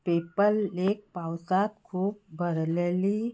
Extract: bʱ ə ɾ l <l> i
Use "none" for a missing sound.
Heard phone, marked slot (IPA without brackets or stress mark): l